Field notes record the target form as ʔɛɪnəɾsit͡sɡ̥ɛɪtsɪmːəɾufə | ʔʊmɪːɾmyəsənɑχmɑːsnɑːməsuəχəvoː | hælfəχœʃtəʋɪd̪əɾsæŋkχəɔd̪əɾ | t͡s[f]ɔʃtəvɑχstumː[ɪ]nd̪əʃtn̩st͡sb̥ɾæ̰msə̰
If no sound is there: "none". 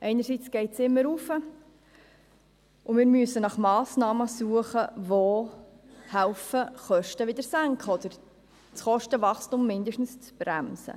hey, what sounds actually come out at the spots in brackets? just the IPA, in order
χ, ɪ

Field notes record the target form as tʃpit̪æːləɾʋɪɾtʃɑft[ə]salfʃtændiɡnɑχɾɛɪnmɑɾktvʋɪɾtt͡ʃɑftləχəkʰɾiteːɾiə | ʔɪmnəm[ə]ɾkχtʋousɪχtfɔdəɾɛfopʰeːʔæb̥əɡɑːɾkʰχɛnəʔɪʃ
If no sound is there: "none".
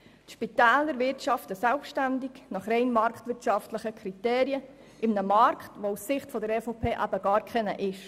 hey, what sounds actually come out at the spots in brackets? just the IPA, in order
ə, ɑ

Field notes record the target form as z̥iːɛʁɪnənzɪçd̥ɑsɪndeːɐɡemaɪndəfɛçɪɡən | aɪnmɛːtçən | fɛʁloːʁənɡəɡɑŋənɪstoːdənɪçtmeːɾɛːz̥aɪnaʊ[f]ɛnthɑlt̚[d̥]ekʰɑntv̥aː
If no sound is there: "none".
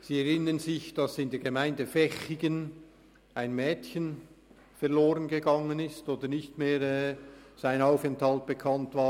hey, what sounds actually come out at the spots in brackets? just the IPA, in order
f, b̥

